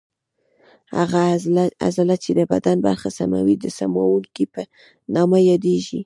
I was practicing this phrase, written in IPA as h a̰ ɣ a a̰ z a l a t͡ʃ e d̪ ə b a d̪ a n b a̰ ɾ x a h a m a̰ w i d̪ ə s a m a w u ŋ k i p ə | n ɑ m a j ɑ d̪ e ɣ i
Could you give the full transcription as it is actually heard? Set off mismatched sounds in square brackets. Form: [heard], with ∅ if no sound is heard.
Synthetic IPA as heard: h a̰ ɣ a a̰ z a l a t͡ʃ e d̪ ə b a d̪ a n b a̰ ɾ x a [s] a m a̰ w i d̪ ə s a m a w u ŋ k i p ə | n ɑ m a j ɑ d̪ e [ʒ] i